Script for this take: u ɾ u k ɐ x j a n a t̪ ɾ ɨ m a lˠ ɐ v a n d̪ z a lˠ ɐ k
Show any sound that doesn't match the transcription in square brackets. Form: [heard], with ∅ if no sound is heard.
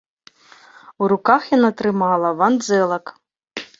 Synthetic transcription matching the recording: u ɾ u k [a] x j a n a t̪ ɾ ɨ m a lˠ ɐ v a n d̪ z [ɛ] lˠ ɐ k